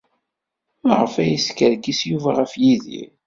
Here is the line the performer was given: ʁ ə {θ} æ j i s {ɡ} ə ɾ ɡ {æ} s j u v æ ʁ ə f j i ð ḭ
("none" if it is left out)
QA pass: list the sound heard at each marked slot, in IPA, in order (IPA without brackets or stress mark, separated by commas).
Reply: f, k, i